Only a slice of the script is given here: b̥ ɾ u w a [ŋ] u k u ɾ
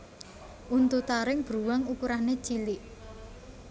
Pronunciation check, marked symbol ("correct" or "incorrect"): correct